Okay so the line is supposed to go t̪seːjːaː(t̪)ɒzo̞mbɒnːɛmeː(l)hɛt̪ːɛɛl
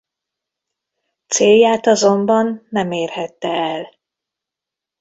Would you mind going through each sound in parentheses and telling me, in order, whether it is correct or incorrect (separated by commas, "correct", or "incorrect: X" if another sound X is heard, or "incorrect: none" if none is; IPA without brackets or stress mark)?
correct, incorrect: r